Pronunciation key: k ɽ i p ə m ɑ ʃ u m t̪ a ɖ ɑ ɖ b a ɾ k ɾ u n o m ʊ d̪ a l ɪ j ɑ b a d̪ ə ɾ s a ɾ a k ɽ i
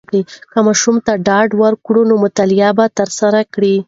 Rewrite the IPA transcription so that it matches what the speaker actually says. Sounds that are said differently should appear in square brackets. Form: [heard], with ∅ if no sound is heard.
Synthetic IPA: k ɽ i [k] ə m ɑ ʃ u m t̪ a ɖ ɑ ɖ [w] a ɾ k [ɽ] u n o m ʊ [t̪] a l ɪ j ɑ b a [t̪] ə ɾ s a ɾ a k ɽ i